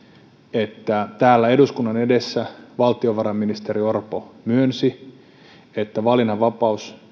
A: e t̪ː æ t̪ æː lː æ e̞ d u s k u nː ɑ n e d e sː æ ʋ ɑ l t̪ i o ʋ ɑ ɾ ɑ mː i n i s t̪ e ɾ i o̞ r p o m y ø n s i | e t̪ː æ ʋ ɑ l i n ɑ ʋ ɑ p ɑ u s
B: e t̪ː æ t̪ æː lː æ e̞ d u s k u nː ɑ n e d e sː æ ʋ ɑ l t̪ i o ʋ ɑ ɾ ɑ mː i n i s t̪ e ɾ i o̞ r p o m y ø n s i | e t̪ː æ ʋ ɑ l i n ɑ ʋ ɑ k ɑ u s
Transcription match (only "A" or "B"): A